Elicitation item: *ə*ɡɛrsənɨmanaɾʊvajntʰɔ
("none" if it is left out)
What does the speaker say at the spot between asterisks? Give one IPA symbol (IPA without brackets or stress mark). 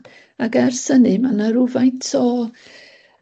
a